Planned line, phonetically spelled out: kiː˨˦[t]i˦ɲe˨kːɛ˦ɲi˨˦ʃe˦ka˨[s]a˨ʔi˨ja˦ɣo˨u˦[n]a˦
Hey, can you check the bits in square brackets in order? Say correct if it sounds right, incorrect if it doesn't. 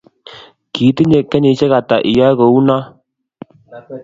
correct, incorrect, correct

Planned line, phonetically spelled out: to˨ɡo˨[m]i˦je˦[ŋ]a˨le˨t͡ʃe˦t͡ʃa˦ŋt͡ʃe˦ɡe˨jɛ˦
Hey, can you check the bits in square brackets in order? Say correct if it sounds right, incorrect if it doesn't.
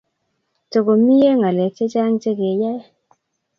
correct, correct

